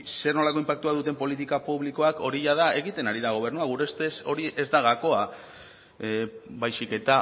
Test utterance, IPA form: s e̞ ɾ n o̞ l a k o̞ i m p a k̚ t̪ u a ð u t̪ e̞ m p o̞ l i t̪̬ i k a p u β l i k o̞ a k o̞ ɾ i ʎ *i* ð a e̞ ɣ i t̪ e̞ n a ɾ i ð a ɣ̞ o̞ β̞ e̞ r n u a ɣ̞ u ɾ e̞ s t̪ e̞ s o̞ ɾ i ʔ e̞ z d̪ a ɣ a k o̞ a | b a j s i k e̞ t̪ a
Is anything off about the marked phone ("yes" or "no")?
yes